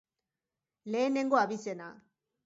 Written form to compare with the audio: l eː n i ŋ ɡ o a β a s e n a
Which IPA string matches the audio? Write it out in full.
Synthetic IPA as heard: l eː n e ŋ ɡ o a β i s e n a